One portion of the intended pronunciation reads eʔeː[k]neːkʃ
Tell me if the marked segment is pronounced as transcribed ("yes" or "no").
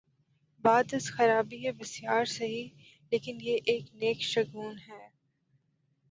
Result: yes